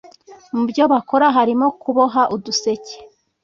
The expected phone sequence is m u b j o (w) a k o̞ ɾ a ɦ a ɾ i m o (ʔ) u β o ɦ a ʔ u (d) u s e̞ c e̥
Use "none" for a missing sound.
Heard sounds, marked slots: β, k, d

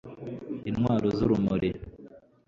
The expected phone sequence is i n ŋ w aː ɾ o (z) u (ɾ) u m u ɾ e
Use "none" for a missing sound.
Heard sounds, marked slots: z, ɾ

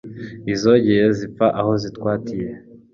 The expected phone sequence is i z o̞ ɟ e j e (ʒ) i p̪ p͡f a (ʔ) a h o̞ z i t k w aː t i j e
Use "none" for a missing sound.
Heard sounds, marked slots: z, ʔ

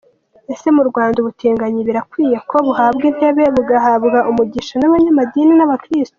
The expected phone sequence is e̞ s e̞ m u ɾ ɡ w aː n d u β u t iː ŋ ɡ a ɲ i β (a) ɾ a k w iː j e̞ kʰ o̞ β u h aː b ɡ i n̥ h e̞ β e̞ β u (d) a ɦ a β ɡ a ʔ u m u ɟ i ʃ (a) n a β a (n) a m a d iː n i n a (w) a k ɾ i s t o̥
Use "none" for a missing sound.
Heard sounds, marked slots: i, ɡ, a, ɲ, β

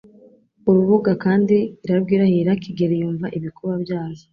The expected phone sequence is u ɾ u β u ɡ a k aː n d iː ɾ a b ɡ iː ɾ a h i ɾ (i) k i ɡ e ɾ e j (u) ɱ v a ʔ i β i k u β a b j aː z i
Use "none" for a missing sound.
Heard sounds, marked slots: a, uː

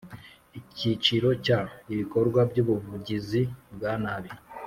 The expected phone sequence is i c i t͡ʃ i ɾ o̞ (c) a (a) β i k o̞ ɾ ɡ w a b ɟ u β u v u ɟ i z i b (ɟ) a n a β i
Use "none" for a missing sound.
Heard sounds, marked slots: c, i, ɡ

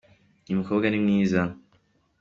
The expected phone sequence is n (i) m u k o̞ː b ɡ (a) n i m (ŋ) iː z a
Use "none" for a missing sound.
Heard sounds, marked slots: i, a, ŋ

